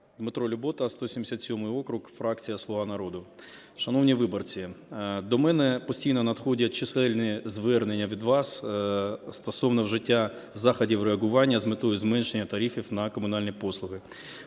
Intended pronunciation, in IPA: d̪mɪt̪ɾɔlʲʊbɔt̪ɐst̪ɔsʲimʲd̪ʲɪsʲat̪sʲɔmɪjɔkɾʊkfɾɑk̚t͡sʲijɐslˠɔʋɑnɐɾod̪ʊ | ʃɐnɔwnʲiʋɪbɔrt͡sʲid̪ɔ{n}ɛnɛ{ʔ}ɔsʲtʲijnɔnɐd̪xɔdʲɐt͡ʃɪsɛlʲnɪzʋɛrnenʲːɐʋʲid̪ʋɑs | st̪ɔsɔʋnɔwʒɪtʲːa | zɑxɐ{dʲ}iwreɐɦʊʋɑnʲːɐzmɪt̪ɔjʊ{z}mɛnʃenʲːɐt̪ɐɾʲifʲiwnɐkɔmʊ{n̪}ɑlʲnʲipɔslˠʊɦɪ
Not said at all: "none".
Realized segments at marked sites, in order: m, p, dʲ, z, n̪

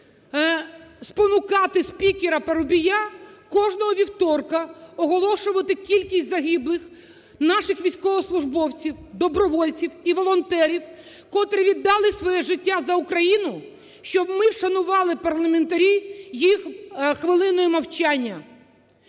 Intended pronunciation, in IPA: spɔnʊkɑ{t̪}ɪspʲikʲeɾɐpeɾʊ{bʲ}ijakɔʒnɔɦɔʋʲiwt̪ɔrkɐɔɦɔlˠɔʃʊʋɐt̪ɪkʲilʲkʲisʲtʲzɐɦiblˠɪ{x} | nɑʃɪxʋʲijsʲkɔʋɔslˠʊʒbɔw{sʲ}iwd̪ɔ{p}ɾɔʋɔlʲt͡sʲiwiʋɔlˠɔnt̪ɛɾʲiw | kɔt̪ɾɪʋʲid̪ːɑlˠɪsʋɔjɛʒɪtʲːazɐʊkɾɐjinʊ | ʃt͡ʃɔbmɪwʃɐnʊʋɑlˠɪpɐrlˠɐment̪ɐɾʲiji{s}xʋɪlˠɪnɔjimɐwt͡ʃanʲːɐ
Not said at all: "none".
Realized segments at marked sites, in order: t̪, bʲ, x, t͡sʲ, b, x

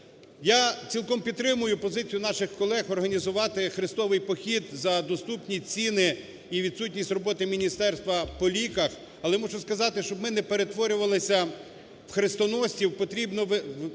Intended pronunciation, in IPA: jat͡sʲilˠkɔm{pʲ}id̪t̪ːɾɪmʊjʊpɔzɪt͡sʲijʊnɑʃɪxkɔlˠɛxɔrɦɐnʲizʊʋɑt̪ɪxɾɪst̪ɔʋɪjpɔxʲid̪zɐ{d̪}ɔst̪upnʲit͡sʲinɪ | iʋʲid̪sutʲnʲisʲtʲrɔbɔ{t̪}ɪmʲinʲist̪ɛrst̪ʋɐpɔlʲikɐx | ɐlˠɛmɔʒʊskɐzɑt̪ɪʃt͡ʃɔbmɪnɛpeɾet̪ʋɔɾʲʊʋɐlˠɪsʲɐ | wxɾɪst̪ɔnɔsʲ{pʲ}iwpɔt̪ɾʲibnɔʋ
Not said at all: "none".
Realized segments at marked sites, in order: pʲ, d̪, t̪, tʲ

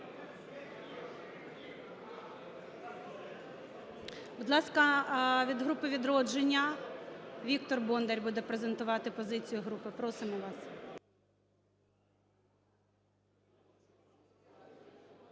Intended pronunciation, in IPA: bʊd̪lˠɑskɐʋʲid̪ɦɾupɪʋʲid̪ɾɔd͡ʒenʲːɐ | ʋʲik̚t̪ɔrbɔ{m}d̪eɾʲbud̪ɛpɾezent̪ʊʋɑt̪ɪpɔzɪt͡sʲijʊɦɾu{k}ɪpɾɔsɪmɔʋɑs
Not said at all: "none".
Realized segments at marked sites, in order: n, p

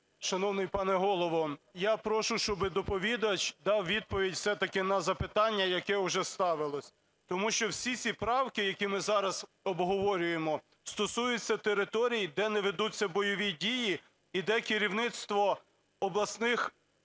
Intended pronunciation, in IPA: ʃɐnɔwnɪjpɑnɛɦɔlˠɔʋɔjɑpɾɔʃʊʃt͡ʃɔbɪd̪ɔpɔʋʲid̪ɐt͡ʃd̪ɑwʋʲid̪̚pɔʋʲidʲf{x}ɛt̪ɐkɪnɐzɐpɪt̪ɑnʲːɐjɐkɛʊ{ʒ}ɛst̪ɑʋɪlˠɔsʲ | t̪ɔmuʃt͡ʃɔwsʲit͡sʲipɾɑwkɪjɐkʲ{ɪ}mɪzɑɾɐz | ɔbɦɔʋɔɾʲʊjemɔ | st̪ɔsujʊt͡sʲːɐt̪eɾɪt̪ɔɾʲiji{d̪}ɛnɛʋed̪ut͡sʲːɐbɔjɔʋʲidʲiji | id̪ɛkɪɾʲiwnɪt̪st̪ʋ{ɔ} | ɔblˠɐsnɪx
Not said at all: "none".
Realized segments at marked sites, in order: s, ʒ, i, d̪, ɔ

